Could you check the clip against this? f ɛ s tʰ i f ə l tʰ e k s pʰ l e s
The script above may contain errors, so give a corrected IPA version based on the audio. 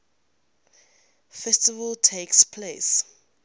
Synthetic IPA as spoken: f ɛ s t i v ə l tʰ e k s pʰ l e s